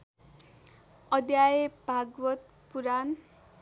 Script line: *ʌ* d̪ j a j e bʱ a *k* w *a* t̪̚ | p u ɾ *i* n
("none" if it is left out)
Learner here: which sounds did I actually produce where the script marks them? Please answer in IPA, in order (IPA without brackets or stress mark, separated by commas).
ʌ, ɡ, ʌ, a